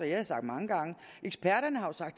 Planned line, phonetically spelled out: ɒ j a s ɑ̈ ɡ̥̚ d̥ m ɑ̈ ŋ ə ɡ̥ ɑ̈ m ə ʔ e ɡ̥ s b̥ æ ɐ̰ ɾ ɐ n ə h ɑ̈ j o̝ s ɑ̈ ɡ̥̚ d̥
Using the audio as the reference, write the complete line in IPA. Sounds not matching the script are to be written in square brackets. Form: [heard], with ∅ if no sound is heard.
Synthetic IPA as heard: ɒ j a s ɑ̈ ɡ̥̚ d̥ m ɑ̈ ŋ ə ɡ̥ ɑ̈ [ŋ] ə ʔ e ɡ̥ s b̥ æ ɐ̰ ɾ ɐ n ə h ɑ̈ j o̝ s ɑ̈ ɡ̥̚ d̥